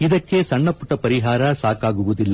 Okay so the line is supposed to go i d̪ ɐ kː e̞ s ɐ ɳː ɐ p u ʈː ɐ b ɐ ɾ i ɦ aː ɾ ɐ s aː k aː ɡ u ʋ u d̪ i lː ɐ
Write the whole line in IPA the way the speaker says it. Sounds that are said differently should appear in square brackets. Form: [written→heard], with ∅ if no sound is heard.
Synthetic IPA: i d̪ ɐ kː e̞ s ɐ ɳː ɐ p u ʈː ɐ [b→p] ɐ ɾ i ɦ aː ɾ ɐ s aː k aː ɡ u ʋ u d̪ i lː ɐ